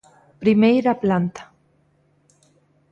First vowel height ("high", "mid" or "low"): high